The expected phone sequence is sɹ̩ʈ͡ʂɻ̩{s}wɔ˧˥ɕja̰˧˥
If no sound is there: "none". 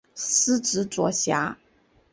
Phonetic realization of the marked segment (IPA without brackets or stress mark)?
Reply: t͡s